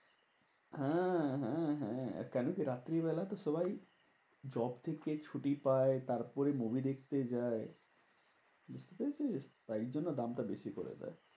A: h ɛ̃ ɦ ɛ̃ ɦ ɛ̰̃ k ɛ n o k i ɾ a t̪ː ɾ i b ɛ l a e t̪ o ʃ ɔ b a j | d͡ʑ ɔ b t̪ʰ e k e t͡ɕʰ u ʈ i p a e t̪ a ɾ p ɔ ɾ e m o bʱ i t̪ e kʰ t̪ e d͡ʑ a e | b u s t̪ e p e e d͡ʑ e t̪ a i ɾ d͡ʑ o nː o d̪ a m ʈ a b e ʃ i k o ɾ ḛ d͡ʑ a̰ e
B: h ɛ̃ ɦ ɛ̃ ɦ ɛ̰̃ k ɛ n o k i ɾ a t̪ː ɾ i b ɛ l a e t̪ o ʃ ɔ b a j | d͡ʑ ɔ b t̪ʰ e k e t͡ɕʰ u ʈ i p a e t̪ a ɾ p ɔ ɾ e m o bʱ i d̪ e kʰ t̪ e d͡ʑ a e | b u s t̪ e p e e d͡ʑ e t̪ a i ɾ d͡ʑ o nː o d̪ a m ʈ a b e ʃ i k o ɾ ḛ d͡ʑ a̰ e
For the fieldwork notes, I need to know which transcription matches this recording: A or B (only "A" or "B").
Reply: B